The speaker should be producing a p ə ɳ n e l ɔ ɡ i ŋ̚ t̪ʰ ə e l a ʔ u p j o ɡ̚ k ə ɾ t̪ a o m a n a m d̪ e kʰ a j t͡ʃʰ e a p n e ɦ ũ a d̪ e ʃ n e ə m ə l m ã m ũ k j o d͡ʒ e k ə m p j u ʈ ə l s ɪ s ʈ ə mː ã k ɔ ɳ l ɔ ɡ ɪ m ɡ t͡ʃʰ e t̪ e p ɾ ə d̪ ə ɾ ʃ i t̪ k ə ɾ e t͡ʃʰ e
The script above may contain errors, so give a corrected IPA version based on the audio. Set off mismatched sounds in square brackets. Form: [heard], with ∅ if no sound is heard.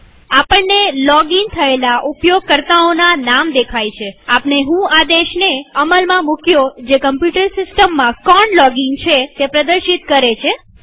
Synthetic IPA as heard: a p ə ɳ n e l ɔ ɡ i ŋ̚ t̪ʰ ə e l a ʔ u p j o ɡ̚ k ə ɾ t̪ a o [n] a n a m d̪ e kʰ a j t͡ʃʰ e a p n e ɦ ũ a d̪ e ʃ n e ə m ə l m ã m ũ k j o d͡ʒ e k ə m p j u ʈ ə [ɾ] s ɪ s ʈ ə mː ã k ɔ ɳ l ɔ ɡ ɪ [ŋ] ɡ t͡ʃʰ e t̪ e p ɾ ə d̪ ə ɾ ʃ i t̪ k ə ɾ e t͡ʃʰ e

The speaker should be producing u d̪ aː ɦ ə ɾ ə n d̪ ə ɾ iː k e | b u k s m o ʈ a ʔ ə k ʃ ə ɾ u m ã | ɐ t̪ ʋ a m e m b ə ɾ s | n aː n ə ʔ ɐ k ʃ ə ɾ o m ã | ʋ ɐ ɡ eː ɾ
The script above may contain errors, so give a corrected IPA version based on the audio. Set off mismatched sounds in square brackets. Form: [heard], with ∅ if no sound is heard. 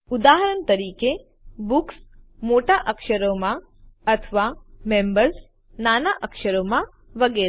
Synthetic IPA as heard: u d̪ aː ɦ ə ɾ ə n [t̪] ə ɾ iː k e | b u k s m o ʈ a ʔ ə k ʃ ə ɾ [o] m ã | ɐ [t̪ʰ] ʋ a m e m b ə ɾ s | n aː n [a] ʔ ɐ k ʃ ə ɾ o m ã | ʋ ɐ ɡ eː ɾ

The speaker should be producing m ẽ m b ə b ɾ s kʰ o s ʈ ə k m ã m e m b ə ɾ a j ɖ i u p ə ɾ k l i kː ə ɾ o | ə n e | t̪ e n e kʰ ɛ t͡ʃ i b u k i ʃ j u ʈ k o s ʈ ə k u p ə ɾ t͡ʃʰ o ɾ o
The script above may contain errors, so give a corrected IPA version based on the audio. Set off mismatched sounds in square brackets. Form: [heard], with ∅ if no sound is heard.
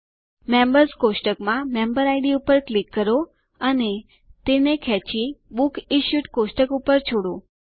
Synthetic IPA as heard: m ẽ m b ə [∅] ɾ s [k] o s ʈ ə k m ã m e m b ə ɾ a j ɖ i u p ə ɾ k l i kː ə ɾ o | ə n e | t̪ e n e kʰ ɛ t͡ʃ i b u k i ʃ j u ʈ k o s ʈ ə k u p ə ɾ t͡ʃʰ o [ɽ] o

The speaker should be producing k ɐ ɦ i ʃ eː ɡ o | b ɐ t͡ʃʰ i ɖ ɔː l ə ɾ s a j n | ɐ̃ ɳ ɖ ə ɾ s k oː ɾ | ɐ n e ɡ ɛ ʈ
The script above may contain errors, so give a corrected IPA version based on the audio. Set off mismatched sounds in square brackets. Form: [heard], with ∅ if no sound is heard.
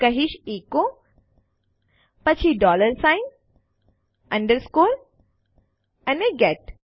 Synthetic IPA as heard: k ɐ ɦ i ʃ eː [k] o | [p] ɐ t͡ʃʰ i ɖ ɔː l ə ɾ s a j n | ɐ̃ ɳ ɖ ə ɾ s k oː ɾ | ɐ n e ɡ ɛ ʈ

